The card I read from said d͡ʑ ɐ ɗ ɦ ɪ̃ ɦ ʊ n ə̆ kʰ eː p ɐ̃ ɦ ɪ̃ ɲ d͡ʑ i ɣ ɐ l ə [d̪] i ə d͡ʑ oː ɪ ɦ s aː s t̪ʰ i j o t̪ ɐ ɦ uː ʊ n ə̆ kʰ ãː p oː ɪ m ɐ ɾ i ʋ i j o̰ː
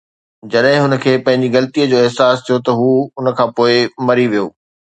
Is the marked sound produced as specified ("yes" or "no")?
no